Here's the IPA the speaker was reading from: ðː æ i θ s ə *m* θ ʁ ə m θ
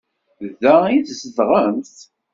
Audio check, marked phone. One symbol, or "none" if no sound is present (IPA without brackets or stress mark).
none